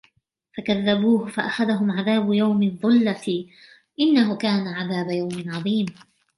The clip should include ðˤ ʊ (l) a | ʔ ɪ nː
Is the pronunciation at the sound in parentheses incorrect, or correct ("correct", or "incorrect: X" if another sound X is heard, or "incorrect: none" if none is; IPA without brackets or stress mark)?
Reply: incorrect: lː